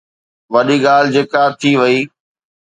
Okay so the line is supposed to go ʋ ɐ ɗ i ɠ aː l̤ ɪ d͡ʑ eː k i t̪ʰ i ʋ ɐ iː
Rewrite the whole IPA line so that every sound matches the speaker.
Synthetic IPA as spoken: ʋ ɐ ɗ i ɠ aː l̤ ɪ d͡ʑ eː k a t̪ʰ i ʋ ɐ iː